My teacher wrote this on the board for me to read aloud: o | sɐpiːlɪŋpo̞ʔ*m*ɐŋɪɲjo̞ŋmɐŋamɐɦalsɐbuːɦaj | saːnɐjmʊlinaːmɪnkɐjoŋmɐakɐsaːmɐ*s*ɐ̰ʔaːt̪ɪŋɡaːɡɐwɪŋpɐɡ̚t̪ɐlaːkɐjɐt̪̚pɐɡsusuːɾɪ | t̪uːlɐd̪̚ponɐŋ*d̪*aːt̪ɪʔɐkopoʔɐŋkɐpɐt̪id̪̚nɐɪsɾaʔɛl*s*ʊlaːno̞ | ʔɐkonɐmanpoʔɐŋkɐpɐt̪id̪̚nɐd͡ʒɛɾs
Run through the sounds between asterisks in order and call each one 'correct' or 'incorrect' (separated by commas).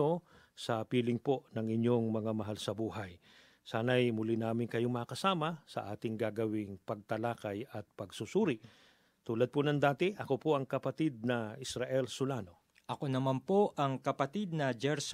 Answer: incorrect, correct, correct, correct